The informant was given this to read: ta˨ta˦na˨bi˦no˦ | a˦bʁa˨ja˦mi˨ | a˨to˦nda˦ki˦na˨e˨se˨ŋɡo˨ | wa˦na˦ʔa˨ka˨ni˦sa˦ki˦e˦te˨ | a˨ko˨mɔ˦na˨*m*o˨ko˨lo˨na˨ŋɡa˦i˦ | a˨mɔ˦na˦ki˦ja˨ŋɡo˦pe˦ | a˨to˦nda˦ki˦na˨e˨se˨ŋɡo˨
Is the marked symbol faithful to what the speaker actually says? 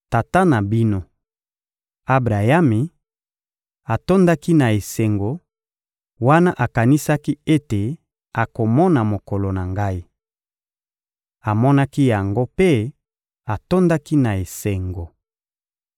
yes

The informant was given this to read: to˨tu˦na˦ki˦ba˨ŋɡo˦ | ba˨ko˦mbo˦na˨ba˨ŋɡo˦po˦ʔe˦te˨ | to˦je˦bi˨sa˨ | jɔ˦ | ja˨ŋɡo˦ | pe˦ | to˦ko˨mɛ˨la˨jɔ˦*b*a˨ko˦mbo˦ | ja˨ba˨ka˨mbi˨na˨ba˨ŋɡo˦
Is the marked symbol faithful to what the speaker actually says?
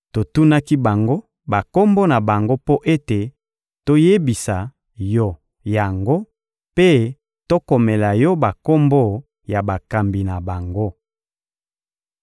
yes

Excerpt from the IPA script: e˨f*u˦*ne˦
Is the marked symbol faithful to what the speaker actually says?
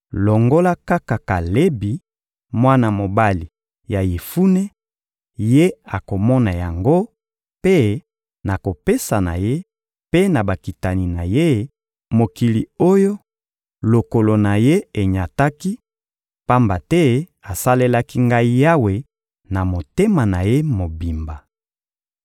yes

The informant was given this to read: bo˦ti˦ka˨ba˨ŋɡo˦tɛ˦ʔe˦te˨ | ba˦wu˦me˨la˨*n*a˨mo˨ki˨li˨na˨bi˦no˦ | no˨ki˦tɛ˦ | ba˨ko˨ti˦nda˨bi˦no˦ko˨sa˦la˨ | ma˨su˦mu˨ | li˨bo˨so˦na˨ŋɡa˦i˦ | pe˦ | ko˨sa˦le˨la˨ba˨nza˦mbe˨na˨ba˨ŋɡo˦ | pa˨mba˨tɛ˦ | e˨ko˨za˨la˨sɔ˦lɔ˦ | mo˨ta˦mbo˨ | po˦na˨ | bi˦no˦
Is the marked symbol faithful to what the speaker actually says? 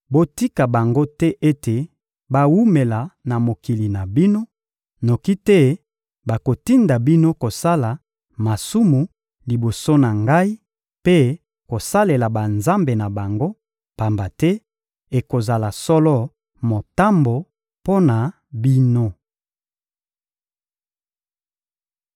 yes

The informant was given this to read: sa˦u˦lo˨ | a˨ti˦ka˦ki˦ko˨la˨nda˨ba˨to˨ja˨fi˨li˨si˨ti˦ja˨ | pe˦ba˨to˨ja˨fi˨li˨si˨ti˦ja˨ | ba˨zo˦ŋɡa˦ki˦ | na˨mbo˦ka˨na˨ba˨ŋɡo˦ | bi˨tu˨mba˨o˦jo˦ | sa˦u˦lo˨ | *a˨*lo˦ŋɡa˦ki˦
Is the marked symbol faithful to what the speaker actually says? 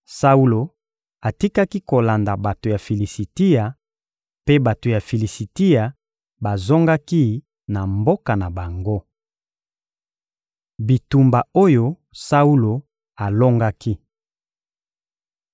yes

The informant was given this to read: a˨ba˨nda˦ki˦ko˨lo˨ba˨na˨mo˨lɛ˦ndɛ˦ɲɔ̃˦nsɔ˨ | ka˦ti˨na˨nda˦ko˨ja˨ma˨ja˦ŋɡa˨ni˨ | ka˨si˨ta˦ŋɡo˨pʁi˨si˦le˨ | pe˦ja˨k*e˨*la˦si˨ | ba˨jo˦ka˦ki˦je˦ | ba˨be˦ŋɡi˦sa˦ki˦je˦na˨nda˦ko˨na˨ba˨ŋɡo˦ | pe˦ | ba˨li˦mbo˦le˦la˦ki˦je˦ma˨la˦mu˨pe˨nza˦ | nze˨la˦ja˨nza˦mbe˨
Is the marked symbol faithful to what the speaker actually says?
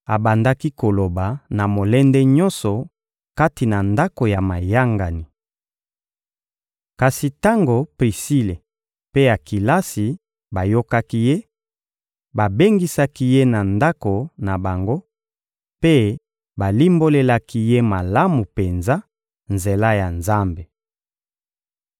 no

